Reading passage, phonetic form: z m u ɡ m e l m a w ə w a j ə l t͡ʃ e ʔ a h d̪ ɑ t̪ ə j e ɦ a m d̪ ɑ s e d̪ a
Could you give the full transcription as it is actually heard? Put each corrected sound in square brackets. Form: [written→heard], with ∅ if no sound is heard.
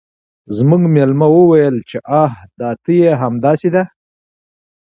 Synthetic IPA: z m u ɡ m e l m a w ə w a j ə l t͡ʃ e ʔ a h d̪ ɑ t̪ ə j e ɦ a m d̪ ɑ s e d̪ a